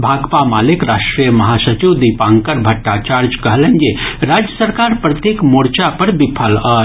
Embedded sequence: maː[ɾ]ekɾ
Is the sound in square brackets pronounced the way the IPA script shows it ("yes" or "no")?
no